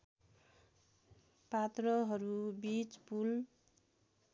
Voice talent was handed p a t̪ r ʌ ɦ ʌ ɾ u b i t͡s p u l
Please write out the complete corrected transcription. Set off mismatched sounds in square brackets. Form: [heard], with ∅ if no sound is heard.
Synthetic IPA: p a t̪ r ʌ ɦ ʌ ɾ u b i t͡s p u l

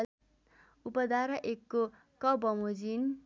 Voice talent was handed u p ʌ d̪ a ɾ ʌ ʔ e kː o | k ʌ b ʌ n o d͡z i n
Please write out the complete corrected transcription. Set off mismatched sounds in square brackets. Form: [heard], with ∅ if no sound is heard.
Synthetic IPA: u p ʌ d̪ a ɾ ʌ ʔ e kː o | k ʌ b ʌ [m] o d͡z i n

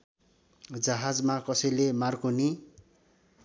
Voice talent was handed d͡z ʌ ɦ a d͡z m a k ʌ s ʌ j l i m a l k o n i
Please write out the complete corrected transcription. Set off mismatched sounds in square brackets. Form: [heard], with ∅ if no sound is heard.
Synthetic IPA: d͡z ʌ ɦ a d͡z m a k ʌ s ʌ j l [e] m a [r] k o n i

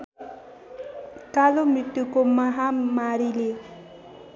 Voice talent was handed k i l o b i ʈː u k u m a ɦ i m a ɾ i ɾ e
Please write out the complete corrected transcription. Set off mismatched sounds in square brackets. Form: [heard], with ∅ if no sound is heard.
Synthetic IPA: k [a] l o [m] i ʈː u k [o] m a ɦ [a] m a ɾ i [l] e

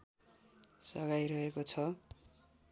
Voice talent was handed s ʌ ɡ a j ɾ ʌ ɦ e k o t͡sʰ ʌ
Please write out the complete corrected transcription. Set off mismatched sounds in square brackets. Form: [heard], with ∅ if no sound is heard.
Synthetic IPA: s ʌ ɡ a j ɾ ʌ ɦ e k o t͡sʰ ʌ

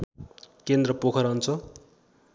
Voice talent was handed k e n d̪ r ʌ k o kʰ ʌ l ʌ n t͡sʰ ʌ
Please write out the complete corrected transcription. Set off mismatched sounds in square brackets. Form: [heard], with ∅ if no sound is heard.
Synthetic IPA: k e n d̪ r ʌ [p] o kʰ ʌ [ɾ] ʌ n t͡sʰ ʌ

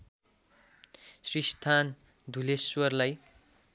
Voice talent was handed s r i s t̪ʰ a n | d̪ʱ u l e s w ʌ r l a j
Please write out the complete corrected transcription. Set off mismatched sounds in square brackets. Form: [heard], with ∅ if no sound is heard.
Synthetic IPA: s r i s t̪ʰ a n | d̪ʱ u l e s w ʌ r l a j

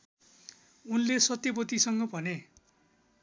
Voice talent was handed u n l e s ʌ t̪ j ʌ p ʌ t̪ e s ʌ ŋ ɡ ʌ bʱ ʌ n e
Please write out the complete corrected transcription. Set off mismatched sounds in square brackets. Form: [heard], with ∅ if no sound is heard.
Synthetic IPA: u n l e s ʌ t̪ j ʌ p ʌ t̪ [i] s ʌ ŋ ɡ ʌ bʱ ʌ n e

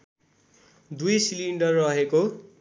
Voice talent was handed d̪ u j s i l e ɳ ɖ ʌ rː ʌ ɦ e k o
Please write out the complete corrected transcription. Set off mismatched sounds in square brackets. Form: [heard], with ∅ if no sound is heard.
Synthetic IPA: d̪ u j s i l [i] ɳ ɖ ʌ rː ʌ ɦ e k o

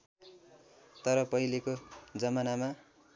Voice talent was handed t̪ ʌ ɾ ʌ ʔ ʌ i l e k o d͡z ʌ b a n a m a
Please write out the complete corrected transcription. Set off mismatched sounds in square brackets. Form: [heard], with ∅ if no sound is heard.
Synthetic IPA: t̪ ʌ ɾ ʌ [p] ʌ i l e k o d͡z ʌ [m] a n a m a

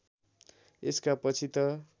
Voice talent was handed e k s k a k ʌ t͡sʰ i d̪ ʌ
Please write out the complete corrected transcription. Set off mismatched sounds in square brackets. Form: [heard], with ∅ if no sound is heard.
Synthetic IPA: e [∅] s k a [p] ʌ t͡sʰ i [t̪] ʌ

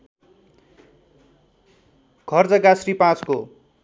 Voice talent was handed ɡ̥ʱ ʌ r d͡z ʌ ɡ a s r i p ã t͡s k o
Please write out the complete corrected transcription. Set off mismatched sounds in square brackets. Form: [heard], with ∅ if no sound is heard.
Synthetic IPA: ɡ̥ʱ ʌ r d͡z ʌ ɡ a s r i p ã t͡s k o

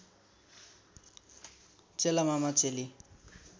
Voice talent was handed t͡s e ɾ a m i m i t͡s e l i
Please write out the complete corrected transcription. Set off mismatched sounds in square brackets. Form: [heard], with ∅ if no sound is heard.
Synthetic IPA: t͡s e [l] a m [a] m [a] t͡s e l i

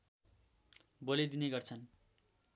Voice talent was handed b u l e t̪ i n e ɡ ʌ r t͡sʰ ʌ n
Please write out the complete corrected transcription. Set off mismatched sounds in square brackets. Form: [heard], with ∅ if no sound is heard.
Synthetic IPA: b [o] l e [d̪] i n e ɡ ʌ r t͡sʰ ʌ n

